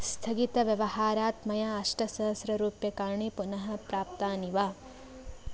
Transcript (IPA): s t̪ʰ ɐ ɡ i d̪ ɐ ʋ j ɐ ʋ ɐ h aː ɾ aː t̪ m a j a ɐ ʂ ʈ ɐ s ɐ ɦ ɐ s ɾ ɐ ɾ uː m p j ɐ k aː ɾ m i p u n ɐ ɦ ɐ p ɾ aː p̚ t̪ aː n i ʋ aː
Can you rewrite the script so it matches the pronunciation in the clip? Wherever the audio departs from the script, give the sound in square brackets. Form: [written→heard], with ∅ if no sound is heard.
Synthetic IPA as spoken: s t̪ʰ ɐ ɡ i [d̪→t̪] ɐ ʋ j ɐ ʋ ɐ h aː ɾ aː t̪ m [a→ɐ] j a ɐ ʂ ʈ ɐ s ɐ ɦ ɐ s ɾ ɐ ɾ uː [m→∅] p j ɐ k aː ɾ [m→ɳ] i p u n ɐ ɦ ɐ p ɾ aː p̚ t̪ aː n i ʋ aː